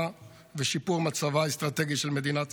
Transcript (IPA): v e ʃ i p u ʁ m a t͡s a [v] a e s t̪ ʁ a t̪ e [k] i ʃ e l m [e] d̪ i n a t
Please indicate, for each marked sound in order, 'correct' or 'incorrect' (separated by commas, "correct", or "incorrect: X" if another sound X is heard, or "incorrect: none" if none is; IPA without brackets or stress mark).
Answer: correct, incorrect: ɡ, correct